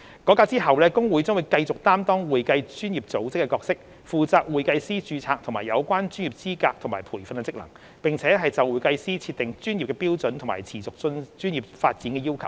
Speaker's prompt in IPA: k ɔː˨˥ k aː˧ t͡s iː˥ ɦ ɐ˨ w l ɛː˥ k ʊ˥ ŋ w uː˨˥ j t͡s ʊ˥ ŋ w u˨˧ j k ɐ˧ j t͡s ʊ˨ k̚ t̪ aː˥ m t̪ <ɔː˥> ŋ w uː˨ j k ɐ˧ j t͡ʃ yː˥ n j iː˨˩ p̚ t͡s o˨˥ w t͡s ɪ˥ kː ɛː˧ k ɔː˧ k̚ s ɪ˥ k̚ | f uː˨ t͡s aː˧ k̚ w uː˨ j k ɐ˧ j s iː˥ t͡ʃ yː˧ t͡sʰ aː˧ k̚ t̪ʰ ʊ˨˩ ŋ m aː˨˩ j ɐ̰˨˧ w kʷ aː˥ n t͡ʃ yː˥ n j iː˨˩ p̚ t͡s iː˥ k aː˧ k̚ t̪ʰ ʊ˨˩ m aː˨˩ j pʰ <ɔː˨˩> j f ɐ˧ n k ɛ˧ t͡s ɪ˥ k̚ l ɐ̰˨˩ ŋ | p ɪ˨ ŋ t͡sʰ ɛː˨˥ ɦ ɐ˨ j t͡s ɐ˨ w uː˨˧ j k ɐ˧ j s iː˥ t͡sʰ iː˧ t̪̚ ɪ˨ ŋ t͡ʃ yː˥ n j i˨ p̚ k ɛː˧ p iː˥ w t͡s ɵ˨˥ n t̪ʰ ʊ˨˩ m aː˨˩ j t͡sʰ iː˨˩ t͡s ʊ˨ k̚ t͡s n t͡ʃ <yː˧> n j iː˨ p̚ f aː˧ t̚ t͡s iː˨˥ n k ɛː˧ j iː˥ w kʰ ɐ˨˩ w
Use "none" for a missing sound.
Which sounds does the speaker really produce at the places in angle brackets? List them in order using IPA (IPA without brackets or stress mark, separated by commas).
ɔː˥, uː˨˩, yː˥